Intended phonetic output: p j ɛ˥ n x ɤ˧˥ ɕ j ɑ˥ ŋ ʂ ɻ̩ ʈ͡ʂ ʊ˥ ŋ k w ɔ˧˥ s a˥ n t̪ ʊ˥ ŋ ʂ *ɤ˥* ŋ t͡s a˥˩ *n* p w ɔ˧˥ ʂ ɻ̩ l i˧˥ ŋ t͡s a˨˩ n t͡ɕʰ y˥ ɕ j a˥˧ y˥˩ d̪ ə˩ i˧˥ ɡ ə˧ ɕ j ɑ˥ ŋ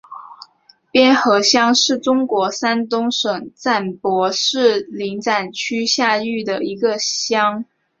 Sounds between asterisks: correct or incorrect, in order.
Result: incorrect: ɤ˨˩, correct

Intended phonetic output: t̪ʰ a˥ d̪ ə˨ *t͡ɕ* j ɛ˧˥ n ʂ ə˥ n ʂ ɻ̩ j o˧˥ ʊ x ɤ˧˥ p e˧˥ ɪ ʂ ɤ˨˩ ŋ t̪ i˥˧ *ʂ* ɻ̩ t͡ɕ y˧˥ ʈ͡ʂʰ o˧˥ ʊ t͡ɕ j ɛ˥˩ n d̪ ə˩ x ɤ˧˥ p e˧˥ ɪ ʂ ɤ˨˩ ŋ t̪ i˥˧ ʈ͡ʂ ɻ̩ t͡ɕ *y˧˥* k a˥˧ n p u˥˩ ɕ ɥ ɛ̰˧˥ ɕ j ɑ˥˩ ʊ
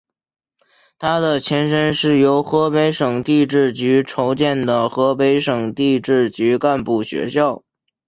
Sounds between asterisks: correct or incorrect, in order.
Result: incorrect: t͡ɕʰ, incorrect: ʈ͡ʂ, correct

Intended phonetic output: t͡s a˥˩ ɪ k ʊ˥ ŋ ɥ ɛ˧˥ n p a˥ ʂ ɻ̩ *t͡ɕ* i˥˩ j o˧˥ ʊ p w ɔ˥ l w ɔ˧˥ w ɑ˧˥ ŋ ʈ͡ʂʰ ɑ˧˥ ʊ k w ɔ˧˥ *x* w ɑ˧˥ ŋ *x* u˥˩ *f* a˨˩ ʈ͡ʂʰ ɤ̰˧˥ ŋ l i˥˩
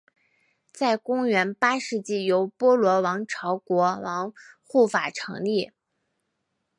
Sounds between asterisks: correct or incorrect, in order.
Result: correct, incorrect: none, correct, correct

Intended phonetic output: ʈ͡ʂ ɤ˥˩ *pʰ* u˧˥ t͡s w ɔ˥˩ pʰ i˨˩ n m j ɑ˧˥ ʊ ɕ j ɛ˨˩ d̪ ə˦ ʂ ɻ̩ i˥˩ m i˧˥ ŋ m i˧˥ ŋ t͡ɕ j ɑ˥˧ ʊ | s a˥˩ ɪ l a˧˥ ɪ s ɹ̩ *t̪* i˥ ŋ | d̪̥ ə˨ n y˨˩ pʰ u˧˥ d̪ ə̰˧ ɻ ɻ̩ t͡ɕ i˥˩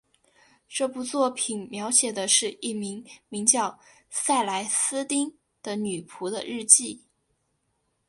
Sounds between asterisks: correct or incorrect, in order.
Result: incorrect: p, correct

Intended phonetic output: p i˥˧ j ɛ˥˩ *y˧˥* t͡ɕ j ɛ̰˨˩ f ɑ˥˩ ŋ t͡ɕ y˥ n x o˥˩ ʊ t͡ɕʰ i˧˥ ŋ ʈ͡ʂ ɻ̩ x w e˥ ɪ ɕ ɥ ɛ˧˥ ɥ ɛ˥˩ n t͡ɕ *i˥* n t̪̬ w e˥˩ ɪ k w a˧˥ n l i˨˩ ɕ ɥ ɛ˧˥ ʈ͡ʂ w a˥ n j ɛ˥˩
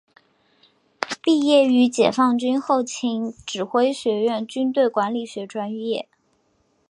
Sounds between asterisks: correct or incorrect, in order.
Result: correct, incorrect: y˥

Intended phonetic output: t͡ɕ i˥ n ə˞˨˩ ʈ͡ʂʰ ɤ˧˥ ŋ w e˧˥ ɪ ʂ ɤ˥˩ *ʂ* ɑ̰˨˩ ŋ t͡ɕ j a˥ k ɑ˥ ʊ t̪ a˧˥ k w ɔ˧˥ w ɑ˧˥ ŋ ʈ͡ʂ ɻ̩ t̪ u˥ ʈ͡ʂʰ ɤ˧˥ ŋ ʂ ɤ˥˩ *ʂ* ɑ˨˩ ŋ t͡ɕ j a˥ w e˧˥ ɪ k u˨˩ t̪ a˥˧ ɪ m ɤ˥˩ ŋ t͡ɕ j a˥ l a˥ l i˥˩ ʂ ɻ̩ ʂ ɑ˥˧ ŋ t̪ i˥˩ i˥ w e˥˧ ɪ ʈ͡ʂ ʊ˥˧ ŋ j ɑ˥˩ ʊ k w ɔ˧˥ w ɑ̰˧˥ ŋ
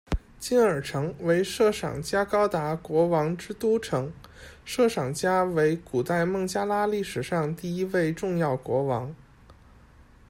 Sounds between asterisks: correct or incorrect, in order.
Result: correct, correct

